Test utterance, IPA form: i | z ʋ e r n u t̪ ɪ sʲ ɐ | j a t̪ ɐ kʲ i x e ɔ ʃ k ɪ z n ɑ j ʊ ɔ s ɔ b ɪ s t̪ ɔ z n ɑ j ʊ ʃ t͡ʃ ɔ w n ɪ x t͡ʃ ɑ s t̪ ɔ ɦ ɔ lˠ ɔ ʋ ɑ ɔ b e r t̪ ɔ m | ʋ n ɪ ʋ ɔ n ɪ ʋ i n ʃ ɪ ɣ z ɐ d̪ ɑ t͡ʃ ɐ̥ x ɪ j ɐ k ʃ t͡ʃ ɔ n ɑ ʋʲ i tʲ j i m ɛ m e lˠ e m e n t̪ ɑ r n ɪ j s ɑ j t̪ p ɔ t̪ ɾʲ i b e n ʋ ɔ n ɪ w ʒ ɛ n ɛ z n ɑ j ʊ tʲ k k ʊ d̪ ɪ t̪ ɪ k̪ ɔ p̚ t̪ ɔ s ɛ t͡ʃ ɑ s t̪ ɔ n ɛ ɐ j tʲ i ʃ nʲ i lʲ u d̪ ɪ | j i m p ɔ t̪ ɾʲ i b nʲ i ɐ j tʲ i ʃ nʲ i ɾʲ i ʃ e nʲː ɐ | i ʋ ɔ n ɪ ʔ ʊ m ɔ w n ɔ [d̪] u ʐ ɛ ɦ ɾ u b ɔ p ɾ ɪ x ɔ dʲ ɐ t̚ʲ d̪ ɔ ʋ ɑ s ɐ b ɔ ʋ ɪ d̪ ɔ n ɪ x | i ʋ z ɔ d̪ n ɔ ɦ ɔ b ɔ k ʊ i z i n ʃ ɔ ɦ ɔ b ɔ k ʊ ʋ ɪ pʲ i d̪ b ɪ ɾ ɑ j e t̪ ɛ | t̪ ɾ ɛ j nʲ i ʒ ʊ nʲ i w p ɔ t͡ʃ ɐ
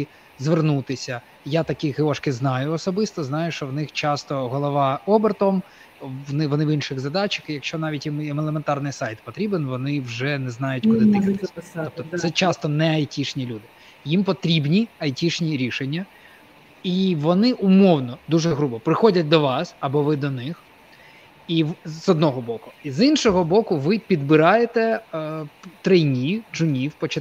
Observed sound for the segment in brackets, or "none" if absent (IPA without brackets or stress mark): d̪